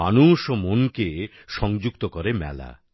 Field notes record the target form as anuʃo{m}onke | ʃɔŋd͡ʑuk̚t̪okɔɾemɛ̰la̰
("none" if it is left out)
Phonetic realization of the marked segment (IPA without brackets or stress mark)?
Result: m